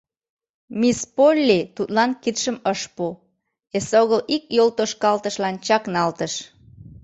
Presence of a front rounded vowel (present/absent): absent